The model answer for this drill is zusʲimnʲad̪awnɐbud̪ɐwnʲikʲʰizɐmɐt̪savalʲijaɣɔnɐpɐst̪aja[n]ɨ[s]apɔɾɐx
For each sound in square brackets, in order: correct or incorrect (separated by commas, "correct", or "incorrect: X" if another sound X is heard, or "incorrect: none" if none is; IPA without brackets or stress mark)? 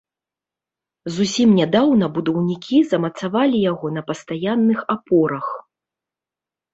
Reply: incorrect: nː, incorrect: x